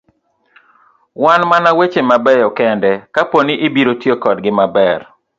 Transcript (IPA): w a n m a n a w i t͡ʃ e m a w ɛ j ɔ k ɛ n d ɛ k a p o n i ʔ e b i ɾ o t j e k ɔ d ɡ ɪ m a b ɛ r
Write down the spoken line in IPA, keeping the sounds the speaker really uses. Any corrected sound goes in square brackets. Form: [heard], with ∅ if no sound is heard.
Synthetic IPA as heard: w a n m a n a w [e] t͡ʃ e m a [b] ɛ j ɔ k ɛ n d ɛ k a p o n i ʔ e b i ɾ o t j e k ɔ d ɡ ɪ m a b ɛ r